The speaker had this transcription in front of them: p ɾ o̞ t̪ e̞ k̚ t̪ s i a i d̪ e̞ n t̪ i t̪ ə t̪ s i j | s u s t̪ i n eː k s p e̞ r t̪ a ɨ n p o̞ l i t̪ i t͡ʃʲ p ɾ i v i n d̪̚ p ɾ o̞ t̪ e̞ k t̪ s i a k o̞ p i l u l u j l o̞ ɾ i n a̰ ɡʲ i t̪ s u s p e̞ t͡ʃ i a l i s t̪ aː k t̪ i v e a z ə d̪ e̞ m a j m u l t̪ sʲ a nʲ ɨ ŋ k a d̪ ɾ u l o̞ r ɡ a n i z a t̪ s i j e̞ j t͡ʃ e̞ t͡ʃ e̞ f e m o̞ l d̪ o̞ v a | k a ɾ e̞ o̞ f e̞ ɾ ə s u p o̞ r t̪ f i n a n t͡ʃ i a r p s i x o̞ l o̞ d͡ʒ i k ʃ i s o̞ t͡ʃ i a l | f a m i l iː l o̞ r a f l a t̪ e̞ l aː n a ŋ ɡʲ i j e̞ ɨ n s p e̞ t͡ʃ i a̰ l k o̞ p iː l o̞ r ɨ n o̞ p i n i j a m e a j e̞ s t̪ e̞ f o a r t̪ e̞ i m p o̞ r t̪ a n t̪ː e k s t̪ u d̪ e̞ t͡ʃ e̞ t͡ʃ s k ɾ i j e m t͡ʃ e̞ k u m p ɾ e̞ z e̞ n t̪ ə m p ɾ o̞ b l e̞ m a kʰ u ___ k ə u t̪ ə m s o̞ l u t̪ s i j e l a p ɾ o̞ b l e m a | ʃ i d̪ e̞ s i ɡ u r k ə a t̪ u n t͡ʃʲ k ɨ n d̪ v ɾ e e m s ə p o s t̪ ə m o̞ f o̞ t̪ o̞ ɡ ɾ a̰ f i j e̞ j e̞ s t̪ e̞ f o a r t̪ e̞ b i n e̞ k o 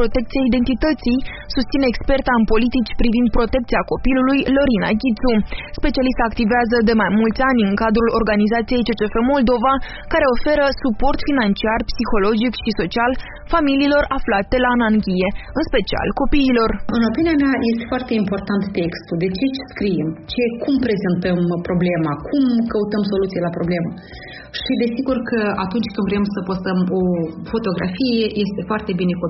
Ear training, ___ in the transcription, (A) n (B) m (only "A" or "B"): B